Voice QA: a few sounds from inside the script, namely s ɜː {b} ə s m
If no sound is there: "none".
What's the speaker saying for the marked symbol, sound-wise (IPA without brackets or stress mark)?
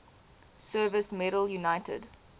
v